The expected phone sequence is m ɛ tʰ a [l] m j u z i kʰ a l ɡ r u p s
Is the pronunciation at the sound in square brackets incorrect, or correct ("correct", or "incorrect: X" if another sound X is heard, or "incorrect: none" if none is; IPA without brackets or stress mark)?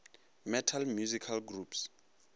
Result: correct